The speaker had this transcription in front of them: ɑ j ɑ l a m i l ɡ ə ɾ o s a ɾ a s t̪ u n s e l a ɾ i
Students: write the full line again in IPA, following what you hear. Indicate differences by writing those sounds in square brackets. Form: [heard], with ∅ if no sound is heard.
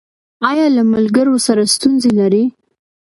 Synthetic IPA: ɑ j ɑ l a m [a] l ɡ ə ɾ o s a ɾ a s t̪ u n [z] e l a ɾ i